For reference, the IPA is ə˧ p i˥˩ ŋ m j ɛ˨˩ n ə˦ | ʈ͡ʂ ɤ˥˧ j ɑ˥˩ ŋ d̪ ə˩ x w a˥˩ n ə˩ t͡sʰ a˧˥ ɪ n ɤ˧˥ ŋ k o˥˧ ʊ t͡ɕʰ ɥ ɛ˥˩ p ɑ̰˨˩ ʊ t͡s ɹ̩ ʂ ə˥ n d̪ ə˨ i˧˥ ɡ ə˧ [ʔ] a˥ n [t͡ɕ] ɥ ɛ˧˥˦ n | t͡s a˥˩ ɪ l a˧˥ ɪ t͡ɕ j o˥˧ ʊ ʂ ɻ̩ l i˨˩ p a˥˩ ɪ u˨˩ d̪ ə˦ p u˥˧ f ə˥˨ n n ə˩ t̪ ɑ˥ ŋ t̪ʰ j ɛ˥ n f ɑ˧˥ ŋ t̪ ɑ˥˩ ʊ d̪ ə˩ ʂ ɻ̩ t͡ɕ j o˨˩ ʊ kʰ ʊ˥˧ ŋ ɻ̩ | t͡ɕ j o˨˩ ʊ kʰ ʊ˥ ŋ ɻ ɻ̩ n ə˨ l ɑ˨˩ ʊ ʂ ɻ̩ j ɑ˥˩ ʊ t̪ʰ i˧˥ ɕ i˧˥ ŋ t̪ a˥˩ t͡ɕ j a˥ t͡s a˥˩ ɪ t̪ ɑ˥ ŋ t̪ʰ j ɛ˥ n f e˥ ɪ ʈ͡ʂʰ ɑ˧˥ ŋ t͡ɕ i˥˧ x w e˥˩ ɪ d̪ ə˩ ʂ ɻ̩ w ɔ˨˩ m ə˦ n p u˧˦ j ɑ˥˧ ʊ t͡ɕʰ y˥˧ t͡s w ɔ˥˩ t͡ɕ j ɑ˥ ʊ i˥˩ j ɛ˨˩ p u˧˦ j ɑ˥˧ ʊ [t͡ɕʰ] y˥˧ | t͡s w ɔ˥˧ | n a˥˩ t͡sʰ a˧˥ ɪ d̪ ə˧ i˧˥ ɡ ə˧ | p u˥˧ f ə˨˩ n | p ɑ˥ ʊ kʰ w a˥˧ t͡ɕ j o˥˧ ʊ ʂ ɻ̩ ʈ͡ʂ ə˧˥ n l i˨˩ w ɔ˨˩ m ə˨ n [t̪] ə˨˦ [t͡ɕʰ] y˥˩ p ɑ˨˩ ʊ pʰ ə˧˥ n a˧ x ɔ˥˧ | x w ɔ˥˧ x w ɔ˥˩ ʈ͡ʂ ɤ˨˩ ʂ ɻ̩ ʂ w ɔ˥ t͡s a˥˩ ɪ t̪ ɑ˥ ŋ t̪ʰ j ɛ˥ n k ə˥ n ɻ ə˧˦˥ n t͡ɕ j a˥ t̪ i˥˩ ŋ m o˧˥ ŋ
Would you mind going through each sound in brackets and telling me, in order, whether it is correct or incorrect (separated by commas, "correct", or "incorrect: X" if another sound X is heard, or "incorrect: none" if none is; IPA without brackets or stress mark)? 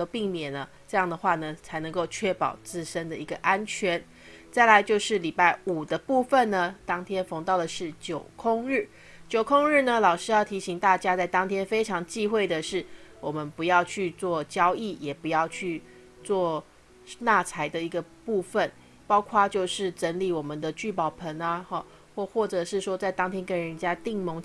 correct, incorrect: t͡ɕʰ, correct, incorrect: d̪, incorrect: t͡ɕ